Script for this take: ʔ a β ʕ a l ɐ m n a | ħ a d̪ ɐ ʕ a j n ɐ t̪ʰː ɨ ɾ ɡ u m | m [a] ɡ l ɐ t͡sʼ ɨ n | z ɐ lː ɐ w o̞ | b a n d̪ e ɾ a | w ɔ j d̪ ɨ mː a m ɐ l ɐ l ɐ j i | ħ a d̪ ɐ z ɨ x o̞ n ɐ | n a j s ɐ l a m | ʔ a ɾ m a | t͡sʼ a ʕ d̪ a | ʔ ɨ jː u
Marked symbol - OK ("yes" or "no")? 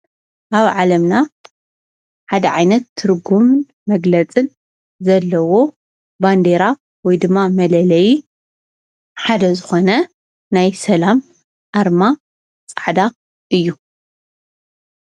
no